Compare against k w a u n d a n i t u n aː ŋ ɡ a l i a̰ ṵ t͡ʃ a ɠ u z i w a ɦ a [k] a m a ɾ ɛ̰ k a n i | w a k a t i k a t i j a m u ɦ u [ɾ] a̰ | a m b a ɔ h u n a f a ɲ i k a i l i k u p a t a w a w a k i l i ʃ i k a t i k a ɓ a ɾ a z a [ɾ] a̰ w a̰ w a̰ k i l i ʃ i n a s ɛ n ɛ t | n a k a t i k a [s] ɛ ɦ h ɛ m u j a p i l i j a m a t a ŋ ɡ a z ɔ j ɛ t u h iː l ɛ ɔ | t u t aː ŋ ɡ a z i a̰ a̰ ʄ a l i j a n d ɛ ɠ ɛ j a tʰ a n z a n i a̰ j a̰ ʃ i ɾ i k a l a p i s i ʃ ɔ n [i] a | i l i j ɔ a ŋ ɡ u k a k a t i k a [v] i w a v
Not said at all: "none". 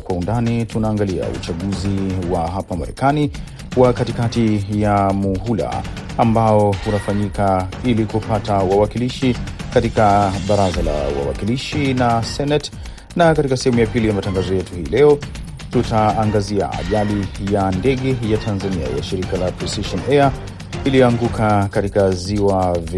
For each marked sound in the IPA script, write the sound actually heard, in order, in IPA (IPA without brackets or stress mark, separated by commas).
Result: p, l, l, s, ɛ, z